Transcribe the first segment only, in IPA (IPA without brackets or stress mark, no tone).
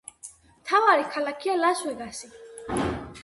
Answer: m